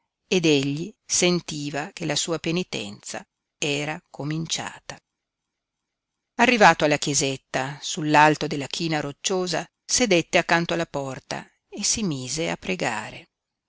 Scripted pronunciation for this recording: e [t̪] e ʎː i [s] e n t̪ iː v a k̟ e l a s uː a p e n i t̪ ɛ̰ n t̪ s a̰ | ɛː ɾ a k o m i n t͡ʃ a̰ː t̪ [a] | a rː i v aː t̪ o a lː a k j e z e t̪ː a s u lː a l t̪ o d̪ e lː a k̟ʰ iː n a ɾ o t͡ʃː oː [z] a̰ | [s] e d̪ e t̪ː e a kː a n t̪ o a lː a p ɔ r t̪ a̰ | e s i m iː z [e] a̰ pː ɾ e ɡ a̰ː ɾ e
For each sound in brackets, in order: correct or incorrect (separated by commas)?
incorrect, correct, correct, correct, correct, correct